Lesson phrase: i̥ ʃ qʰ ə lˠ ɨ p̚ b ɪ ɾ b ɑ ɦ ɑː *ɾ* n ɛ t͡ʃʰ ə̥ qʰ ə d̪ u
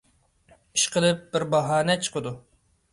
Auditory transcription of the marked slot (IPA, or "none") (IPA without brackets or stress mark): none